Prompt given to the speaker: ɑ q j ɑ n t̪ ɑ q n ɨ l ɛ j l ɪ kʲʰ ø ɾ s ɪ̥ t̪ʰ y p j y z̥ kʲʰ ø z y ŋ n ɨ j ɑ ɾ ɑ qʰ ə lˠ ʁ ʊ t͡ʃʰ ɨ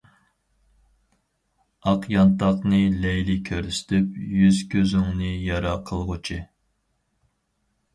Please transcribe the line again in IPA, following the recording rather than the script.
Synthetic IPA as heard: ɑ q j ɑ n t̪ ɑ q n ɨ l ɛ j l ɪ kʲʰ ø ɾ s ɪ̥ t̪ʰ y p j y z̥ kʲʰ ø z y ŋ n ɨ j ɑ ɾ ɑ qʰ ə lˠ ʁ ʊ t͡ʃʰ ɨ

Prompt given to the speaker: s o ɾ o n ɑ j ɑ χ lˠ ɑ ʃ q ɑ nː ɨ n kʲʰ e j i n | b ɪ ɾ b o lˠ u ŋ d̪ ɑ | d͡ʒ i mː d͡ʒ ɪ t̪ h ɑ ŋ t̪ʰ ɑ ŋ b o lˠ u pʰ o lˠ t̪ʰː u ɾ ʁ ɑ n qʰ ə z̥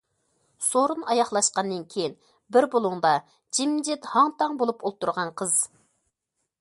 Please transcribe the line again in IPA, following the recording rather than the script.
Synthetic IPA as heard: s o ɾ u n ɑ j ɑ χ lˠ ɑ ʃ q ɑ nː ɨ n kʲʰ e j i n | b ɪ ɾ b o lˠ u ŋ d̪ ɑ | d͡ʒ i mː d͡ʒ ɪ t̪ h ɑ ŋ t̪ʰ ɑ ŋ b o lˠ u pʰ o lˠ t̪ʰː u ɾ ʁ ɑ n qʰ ə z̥

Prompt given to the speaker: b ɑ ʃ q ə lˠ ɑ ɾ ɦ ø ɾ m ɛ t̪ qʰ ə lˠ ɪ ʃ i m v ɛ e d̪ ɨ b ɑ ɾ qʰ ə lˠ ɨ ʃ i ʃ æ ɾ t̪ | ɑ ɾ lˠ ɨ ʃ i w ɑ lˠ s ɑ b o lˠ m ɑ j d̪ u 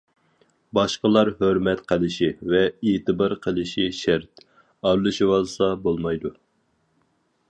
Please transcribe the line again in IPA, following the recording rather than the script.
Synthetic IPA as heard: b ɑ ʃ q ə lˠ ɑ ɾ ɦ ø ɾ m ɛ t̪ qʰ ə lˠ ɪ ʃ i v ɛ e t̪ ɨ b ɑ ɾ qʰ ə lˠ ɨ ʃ i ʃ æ ɾ t̪ | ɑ ɾ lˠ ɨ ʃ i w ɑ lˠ s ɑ b o lˠ m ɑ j d̪ u

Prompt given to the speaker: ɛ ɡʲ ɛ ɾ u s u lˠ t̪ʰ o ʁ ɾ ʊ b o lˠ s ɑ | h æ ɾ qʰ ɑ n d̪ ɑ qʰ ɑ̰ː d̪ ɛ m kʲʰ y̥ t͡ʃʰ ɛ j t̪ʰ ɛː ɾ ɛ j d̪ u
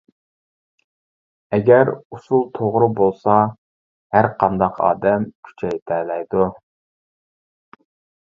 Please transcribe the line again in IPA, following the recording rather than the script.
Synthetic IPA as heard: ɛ ɡʲ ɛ ɾ u s u lˠ t̪ʰ o ʁ ɾ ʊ b o lˠ s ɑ | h æ ɾ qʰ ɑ n d̪ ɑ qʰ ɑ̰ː d̪ ɛ m kʲʰ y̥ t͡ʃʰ ɛ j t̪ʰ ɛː l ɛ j d̪ u

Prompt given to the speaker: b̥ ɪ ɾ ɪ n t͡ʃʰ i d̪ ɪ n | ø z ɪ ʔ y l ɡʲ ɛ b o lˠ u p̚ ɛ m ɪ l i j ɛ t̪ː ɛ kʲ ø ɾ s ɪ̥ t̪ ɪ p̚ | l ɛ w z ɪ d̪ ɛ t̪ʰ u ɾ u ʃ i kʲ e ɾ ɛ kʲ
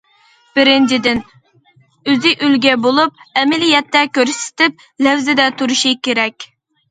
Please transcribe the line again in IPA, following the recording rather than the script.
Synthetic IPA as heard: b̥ ɪ ɾ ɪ n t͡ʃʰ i d̪ ɪ n | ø z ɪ ʔ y l ɡʲ ɛ b o lˠ u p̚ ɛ m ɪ l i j ɛ t̪ː ɛ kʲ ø ɾ s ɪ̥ t̪ ɪ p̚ | l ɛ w z ɪ d̪ ɛ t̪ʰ u ɾ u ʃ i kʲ e ɾ ɛ kʲ

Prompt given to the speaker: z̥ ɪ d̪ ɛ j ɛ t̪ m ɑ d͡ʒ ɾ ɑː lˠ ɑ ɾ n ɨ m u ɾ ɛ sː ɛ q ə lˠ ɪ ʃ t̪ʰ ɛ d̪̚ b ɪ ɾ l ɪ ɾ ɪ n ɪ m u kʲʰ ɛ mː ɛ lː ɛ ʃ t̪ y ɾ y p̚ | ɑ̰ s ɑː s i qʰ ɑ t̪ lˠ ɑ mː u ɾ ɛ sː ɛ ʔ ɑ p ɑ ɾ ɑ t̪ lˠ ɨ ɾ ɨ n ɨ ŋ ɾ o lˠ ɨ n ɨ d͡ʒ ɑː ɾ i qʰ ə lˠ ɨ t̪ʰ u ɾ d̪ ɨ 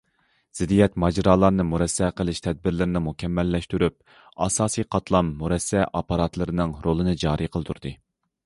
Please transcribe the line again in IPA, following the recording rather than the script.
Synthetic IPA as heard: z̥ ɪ d̪ i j ɛ t̪ m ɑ d͡ʒ ɾ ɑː lˠ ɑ ɾ n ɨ m u ɾ ɛ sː ɛ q ə lˠ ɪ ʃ t̪ʰ ɛ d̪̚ b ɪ ɾ l ɪ ɾ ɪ n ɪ m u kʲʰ ɛ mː ɛ lː ɛ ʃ t̪ y ɾ y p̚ | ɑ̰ s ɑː s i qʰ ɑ t̪ lˠ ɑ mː u ɾ ɛ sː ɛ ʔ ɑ p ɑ ɾ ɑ t̪ lˠ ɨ ɾ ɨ n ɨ ŋ ɾ o lˠ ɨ n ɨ d͡ʒ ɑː ɾ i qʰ ə lˠ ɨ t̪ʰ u ɾ d̪ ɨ

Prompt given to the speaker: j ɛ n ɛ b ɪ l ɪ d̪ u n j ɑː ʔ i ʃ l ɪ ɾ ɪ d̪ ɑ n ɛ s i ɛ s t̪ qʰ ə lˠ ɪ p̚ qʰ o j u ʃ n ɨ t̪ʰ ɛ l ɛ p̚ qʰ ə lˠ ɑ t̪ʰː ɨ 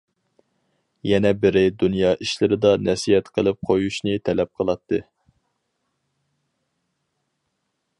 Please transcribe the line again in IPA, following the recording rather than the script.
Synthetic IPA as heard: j ɛ n ɛ b ɪ ɾ ɪ d̪ u n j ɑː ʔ i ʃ l ɪ ɾ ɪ d̪ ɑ n ɛ s i ɛ t̪ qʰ ə lˠ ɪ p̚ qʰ o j u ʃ n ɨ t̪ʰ ɛ l ɛ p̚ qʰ ə lˠ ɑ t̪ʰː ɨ

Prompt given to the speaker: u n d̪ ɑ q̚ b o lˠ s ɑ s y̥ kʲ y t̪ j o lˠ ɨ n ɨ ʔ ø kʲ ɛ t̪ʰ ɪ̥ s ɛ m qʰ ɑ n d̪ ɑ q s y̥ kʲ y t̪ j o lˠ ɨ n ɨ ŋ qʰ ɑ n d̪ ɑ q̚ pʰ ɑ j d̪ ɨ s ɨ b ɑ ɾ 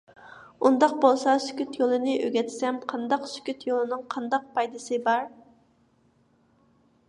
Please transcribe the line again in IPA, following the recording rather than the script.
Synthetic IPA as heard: u n d̪ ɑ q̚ b o lˠ s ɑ s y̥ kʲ y t̪ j o lˠ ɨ n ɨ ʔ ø ɡʲ ɛ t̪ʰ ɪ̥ s ɛ m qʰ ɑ n d̪ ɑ q s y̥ kʲ y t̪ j o lˠ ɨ n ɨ ŋ qʰ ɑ n d̪ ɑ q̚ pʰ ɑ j d̪ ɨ s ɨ b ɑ ɾ

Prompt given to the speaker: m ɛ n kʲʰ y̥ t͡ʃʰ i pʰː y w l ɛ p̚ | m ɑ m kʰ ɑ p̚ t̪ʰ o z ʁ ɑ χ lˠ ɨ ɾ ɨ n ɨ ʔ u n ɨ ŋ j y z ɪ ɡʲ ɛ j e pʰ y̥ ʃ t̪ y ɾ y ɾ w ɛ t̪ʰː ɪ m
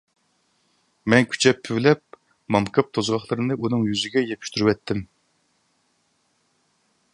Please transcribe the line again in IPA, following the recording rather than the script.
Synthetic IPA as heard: m ɛ n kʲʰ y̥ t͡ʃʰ ɛ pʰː y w l ɛ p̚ | m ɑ m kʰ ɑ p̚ t̪ʰ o z ʁ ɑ χ lˠ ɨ ɾ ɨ n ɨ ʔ u n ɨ ŋ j y z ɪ ɡʲ ɛ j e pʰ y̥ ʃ t̪ y ɾ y w ɛ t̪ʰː ɪ m

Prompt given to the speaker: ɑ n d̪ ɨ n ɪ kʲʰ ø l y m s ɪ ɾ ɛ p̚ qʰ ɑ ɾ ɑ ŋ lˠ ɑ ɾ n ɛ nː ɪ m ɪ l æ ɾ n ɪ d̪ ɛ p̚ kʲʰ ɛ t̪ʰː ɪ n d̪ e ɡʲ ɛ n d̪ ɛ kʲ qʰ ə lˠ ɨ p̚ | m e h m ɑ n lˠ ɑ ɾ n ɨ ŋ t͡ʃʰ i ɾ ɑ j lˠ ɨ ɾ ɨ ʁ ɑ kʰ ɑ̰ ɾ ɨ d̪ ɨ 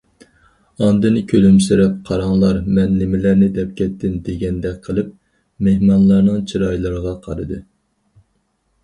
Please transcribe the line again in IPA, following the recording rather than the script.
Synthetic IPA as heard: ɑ n d̪ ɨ n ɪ kʲʰ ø l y m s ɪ ɾ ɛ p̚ qʰ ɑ ɾ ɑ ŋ lˠ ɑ ɾ m ɛ nː ɪ m ɪ l æ ɾ n ɪ d̪ ɛ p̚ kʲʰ ɛ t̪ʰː ɪ n d̪ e ɡʲ ɛ n d̪ ɛ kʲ qʰ ə lˠ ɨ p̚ | m e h m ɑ n lˠ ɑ ɾ n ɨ ŋ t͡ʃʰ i ɾ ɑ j lˠ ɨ ɾ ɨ ʁ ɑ qʰ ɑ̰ ɾ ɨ d̪ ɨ

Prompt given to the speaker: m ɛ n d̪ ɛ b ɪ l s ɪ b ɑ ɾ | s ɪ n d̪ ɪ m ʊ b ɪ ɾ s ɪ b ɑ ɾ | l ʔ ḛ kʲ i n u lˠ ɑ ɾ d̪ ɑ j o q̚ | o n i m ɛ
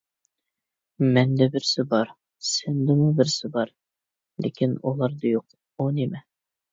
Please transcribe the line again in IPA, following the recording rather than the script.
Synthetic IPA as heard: m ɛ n d̪ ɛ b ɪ ɾ s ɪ b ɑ ɾ | s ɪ n d̪ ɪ m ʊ b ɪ ɾ s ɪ b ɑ ɾ | l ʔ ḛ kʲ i n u lˠ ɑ ɾ d̪ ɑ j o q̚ | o n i m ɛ

